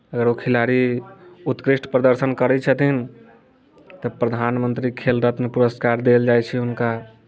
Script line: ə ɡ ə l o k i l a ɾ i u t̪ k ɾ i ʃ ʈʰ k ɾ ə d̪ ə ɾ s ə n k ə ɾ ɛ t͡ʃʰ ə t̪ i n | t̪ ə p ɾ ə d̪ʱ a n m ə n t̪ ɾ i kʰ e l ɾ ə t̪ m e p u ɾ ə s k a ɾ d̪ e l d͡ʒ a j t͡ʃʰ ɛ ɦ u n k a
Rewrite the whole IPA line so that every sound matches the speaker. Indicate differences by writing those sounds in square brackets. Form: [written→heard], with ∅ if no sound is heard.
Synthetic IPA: ə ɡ ə [l→ɾ] o [k→kʰ] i l a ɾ i u t̪ k ɾ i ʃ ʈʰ [k→p] ɾ ə d̪ ə ɾ s ə n k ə ɾ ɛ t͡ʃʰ ə t̪ i n | t̪ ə p ɾ ə d̪ʱ a n m ə n t̪ ɾ i kʰ e l ɾ ə t̪ m e p u ɾ ə s k a ɾ d̪ e l d͡ʒ a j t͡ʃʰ ɛ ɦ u n k a